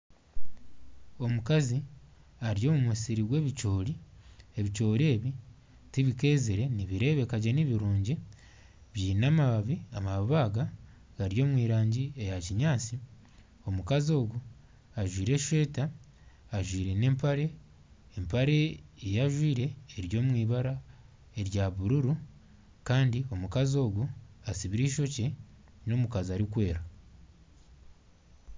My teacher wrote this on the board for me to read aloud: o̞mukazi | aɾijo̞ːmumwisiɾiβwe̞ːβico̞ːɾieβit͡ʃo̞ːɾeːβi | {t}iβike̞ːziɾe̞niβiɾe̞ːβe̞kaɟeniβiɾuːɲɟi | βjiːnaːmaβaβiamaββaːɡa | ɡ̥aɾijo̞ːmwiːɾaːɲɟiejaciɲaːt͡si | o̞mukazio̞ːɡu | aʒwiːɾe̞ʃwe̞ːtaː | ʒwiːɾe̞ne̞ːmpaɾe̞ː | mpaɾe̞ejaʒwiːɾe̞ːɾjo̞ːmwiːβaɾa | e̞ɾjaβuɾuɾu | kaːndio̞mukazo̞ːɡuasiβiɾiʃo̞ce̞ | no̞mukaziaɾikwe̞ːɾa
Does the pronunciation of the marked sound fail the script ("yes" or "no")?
no